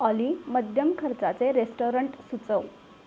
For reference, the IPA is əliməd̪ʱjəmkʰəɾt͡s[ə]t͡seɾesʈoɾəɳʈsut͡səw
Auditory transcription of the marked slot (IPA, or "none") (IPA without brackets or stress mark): a